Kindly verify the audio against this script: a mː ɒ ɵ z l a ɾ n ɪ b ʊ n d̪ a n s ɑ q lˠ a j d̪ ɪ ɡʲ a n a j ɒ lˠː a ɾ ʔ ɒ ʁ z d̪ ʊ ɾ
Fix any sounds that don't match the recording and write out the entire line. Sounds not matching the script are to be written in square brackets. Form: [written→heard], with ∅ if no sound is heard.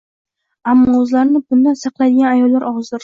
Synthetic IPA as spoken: a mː ɒ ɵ z l a ɾ n ɪ b ʊ n d̪ a n s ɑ q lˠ a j d̪ ɪ ɡʲ a n a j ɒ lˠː a ɾ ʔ ɒ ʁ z d̪ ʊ ɾ